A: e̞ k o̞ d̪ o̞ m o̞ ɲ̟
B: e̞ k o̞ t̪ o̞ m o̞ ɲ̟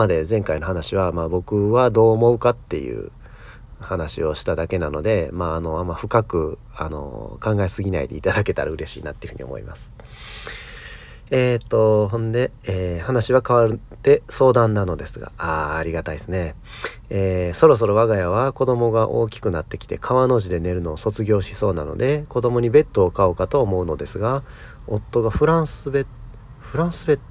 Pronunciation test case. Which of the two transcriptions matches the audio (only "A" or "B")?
A